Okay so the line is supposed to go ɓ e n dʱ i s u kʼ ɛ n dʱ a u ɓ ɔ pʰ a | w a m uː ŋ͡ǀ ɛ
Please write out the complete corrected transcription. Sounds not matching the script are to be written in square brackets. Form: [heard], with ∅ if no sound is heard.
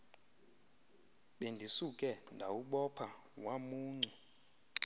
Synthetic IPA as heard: ɓ e n dʱ i s u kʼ ɛ n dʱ a u ɓ ɔ pʰ a | w a m uː ŋ͡ǀ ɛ